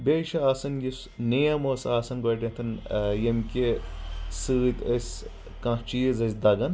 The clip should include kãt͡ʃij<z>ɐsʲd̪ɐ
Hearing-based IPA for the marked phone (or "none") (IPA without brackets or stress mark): z